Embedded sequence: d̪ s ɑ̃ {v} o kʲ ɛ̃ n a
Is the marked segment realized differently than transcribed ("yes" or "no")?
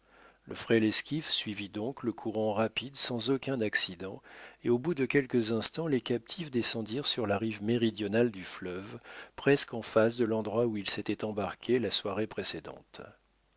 yes